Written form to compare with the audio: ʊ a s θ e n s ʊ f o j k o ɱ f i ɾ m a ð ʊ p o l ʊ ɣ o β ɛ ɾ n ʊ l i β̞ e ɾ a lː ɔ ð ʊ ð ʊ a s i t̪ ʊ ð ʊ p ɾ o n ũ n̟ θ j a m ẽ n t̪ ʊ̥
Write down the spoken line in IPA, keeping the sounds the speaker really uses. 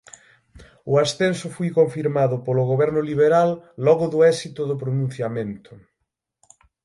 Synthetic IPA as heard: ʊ a s θ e n s ʊ f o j k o ɱ f i ɾ m a ð ʊ p o l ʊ ɣ o β ɛ ɾ n ʊ l i β̞ e ɾ a lː ɔ ɣ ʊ ð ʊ ɛ s i t̪ ʊ ð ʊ p ɾ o n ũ n̟ θ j a m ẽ n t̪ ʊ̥